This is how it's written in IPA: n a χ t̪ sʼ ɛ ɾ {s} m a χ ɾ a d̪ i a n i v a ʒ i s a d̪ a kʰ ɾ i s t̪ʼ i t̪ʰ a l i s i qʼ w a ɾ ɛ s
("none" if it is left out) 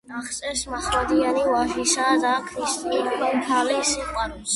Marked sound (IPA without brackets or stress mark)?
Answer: s